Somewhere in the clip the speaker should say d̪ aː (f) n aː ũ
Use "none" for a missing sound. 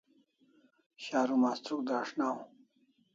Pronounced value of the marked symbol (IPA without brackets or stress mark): ʂ